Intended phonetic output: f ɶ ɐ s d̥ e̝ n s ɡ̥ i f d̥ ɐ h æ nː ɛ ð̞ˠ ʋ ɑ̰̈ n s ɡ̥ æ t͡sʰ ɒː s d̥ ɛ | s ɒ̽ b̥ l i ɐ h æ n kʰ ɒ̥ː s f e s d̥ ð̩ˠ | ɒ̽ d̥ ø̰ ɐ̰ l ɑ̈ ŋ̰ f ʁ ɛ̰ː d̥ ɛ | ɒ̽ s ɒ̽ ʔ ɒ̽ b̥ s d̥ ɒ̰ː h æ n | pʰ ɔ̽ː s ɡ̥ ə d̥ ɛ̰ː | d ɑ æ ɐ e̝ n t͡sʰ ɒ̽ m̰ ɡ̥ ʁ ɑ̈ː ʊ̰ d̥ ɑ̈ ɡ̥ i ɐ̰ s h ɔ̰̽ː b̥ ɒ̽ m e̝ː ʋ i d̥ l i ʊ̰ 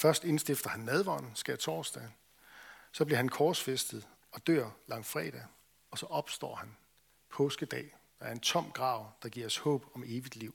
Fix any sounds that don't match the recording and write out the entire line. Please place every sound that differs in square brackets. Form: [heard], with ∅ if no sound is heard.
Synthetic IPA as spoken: f ɶ ɐ s d̥ e̝ n s [d̥] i f d̥ ɐ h æ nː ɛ ð̞ˠ ʋ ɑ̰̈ n s ɡ̥ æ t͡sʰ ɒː s d̥ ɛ | s ɒ̽ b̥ l i ɐ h æ n kʰ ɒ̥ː s f e s d̥ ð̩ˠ | ɒ̽ d̥ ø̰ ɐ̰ l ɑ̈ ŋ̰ f ʁ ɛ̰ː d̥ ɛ | ɒ̽ s ɒ̽ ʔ ɒ̽ b̥ s d̥ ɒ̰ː h æ n | pʰ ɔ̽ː s ɡ̥ ə d̥ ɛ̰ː | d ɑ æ ɐ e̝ n t͡sʰ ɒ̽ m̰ ɡ̥ ʁ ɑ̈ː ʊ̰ d̥ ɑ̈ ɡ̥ i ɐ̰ s h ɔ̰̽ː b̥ ɒ̽ m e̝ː ʋ i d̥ l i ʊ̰